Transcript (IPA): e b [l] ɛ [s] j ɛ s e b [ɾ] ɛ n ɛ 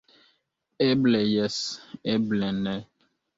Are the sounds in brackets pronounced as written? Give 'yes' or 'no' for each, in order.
yes, no, no

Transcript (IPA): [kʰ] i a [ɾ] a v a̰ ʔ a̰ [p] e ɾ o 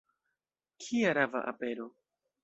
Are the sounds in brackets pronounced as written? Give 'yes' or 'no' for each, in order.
yes, yes, yes

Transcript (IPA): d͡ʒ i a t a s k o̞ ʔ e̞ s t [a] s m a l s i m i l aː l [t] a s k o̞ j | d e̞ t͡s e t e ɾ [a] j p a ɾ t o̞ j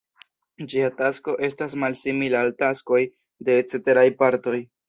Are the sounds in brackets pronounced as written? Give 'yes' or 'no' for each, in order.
yes, yes, yes

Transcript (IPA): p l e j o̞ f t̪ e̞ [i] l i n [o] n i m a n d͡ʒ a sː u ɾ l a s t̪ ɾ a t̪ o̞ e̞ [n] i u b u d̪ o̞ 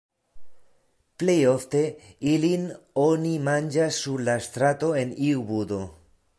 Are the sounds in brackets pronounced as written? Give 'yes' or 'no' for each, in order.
yes, yes, yes

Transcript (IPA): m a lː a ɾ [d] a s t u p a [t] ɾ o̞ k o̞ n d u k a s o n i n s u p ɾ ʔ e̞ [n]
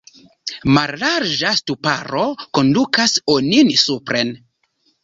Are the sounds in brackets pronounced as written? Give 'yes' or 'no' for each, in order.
no, no, yes

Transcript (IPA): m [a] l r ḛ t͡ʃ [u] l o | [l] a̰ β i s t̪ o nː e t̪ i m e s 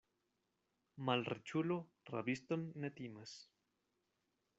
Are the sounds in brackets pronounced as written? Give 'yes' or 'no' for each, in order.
yes, yes, no

